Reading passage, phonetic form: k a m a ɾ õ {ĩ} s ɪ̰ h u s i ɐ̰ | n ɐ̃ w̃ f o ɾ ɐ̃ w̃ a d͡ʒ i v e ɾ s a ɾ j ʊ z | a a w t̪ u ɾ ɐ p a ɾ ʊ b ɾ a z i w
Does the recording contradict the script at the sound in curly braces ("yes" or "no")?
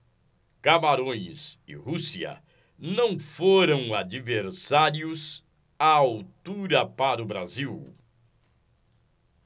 yes